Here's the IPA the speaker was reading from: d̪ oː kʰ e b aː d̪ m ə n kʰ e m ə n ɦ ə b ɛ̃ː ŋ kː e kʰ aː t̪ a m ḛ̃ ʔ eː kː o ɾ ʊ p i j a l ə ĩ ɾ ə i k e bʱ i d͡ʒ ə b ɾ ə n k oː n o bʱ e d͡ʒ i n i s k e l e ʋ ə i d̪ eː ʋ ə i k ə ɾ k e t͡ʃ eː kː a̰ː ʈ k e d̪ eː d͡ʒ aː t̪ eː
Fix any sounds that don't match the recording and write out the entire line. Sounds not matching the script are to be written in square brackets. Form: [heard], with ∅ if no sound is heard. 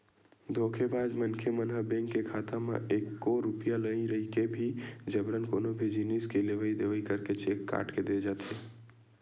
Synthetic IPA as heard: d̪ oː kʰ e b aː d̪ m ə n kʰ e m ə n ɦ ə b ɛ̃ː ŋ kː e kʰ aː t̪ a m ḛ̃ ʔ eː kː o ɾ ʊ p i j a l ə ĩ ɾ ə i k e bʱ i d͡ʒ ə b ɾ ə n k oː n o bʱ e d͡ʒ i n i s k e l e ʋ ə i d̪ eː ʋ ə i k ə ɾ k e t͡ʃ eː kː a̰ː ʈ k e d̪ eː d͡ʒ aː t̪ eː